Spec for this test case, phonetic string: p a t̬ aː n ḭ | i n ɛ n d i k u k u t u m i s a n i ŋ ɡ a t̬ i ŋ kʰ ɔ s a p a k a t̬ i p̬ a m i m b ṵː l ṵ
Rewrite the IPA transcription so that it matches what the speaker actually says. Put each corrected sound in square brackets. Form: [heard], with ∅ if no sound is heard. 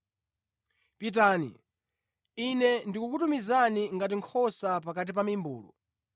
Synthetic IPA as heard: p [i] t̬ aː n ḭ | i n ɛ n d i k u k u t u m i [z] a n i ŋ ɡ a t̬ i ŋ kʰ ɔ s a p a k a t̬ i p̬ a m i m b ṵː l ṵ